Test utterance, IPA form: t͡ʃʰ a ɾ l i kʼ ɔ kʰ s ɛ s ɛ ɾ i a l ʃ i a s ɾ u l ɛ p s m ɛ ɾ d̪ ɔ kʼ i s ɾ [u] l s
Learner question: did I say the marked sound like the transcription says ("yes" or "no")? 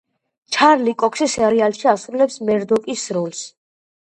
no